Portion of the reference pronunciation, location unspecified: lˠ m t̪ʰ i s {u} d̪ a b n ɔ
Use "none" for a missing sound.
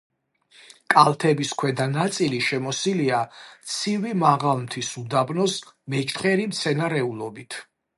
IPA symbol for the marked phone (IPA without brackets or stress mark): u